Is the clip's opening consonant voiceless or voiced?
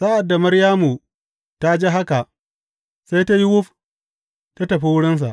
voiceless